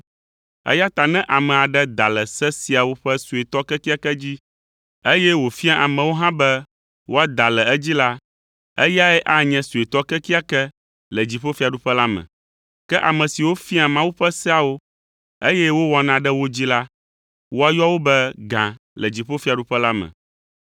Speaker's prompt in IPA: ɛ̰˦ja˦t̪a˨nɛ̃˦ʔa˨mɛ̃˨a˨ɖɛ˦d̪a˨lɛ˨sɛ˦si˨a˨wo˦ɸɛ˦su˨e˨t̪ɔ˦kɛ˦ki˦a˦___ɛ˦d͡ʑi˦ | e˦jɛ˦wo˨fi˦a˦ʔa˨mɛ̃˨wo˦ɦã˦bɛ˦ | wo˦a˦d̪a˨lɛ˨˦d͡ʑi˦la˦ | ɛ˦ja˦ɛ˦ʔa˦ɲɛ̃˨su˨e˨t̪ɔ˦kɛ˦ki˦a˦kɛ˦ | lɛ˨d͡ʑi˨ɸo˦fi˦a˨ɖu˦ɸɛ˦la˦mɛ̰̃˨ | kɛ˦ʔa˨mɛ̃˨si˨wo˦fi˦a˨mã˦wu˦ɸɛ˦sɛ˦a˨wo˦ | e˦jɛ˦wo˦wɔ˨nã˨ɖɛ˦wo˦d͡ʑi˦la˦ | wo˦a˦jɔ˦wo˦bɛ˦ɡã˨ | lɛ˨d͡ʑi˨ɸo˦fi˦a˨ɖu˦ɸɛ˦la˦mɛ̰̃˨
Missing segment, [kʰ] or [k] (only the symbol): k